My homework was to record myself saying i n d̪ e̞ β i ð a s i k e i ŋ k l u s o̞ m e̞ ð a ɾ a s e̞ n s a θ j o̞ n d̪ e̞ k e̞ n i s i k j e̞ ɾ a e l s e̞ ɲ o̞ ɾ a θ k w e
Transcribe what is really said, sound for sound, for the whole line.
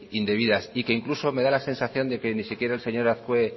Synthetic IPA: i n d̪ e̞ β i ð a s i k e i ŋ k l u s o̞ m e̞ ð a l a s e̞ n s a θ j o̞ n d̪ e̞ k e̞ n i s i k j e̞ ɾ a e l s e̞ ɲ o̞ ɾ a θ k w e